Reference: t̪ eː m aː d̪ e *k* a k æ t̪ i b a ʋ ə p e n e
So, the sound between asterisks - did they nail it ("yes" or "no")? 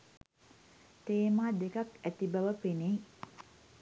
yes